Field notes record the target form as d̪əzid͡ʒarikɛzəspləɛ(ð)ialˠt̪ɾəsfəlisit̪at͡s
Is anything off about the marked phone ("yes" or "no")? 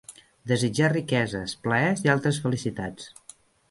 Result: yes